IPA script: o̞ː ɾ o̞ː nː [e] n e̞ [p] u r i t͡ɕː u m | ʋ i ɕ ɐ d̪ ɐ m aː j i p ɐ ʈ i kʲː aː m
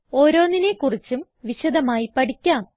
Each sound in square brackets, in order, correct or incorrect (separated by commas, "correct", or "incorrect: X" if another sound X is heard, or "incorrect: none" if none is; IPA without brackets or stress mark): incorrect: i, incorrect: k